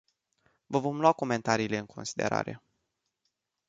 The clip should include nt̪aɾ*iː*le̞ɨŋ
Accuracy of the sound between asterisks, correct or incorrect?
correct